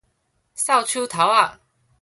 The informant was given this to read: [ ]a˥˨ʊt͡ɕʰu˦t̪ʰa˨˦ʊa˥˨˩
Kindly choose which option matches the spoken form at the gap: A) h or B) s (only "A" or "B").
B